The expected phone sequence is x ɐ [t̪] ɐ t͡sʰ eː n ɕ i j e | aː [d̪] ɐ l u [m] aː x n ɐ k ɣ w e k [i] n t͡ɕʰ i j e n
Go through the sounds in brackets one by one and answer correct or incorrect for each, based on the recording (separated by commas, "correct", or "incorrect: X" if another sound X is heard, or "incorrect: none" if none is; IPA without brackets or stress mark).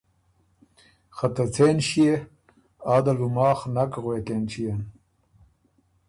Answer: correct, correct, correct, incorrect: e